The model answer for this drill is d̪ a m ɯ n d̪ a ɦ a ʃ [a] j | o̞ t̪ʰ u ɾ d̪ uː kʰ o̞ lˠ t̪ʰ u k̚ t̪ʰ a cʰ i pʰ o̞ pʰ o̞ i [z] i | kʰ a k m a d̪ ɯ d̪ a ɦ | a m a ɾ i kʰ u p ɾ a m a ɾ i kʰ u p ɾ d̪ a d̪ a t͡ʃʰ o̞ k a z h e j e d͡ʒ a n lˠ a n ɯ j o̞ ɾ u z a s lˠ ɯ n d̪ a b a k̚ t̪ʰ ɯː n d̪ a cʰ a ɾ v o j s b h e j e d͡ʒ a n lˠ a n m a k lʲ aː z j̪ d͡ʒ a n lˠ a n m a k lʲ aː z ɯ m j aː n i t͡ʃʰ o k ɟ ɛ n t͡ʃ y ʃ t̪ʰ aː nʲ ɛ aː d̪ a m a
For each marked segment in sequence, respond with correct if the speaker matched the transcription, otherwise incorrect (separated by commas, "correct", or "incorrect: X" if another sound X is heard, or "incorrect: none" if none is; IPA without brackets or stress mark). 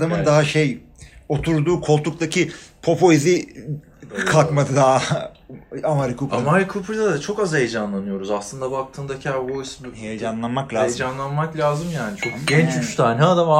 incorrect: e, correct